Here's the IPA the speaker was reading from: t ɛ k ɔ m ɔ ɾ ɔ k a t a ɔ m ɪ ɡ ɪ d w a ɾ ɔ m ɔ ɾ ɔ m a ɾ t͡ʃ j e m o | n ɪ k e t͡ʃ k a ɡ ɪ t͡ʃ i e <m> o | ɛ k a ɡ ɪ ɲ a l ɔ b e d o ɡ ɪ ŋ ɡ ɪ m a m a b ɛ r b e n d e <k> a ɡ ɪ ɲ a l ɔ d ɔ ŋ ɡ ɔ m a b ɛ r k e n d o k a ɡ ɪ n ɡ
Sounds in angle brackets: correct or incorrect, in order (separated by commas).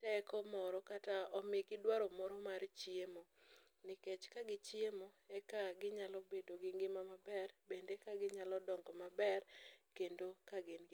correct, correct